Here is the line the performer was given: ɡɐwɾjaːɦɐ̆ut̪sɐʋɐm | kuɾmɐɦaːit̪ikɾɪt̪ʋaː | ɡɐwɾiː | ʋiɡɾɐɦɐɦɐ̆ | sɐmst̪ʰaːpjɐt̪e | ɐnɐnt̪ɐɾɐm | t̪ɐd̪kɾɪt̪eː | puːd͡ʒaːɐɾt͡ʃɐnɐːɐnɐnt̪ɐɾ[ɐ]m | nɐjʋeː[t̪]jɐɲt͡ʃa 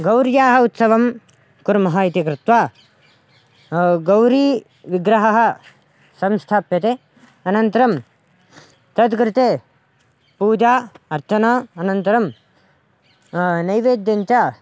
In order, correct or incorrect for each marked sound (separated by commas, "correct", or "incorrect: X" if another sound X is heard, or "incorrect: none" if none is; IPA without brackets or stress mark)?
correct, incorrect: d̪